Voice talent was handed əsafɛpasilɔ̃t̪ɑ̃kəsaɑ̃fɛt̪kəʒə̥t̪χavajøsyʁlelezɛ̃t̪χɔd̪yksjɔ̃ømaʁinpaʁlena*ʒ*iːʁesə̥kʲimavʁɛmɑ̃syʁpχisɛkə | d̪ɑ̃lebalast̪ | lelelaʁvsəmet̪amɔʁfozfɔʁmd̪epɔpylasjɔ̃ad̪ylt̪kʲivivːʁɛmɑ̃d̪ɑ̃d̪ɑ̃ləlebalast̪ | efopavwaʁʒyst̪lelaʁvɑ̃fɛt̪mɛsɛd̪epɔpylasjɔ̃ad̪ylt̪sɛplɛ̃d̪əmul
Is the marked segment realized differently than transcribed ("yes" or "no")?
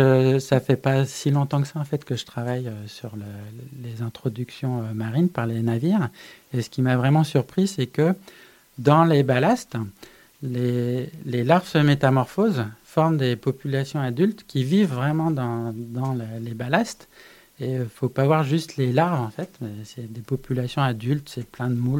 yes